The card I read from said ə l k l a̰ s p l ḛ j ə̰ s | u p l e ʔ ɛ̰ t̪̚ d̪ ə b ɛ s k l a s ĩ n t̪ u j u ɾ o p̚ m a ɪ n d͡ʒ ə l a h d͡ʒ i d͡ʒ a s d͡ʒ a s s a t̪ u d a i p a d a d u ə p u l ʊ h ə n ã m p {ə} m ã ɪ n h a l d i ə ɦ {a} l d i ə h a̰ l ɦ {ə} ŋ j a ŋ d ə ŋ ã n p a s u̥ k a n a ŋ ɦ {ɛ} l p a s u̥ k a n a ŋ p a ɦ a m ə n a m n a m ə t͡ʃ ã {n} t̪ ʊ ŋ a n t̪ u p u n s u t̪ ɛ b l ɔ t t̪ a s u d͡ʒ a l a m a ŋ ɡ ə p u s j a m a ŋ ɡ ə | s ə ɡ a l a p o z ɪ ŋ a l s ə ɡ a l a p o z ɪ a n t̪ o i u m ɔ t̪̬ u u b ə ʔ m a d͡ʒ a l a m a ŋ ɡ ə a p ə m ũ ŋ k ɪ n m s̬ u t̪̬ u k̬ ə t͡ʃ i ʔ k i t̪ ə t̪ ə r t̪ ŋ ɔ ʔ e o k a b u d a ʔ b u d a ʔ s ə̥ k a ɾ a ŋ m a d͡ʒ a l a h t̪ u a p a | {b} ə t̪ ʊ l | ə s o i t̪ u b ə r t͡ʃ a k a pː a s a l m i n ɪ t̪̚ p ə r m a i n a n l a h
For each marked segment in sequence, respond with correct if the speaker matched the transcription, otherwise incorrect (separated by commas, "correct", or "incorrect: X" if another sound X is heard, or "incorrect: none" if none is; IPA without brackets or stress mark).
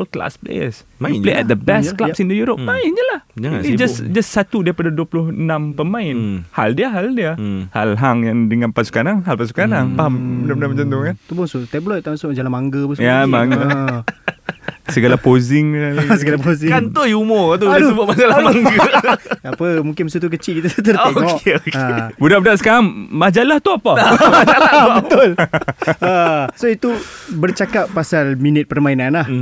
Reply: correct, correct, incorrect: a, incorrect: a, correct, correct